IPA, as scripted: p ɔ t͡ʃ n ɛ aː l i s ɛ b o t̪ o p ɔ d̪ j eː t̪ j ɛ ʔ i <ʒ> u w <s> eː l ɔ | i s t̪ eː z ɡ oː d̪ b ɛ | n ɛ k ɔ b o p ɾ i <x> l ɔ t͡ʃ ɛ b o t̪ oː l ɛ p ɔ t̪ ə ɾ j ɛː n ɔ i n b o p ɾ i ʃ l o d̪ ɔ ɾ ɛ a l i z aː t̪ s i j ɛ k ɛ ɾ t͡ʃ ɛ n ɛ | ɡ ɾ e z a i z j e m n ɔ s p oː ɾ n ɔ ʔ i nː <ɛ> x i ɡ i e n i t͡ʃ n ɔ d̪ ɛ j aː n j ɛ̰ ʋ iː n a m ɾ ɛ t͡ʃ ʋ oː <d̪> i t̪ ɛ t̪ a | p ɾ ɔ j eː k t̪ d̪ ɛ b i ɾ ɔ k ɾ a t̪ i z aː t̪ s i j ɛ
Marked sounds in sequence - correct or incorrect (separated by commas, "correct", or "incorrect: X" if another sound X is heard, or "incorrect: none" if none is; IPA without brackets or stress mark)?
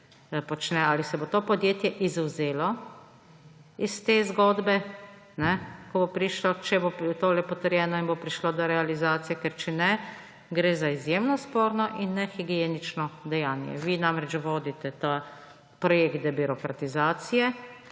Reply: incorrect: z, incorrect: z, incorrect: ʃ, correct, correct